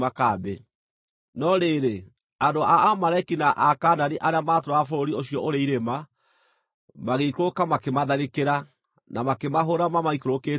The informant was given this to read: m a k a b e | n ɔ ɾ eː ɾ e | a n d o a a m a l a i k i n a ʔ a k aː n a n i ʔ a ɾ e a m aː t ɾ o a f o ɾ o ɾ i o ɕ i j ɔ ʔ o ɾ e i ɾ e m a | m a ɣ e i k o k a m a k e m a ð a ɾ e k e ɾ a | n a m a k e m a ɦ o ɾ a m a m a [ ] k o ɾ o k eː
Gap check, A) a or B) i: B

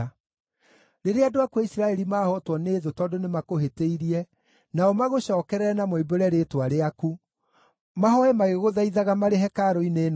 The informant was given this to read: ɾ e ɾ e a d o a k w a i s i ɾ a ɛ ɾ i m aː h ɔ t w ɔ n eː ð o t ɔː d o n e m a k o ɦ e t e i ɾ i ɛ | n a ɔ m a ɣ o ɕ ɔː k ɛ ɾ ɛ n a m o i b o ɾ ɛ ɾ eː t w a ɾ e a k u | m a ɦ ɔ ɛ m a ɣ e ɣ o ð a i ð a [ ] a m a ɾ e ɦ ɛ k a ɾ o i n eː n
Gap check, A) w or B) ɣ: B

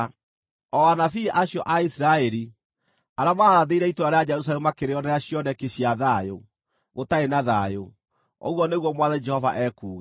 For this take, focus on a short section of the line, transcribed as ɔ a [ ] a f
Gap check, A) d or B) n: B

